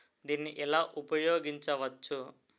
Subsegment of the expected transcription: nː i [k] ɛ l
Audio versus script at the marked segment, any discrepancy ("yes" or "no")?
yes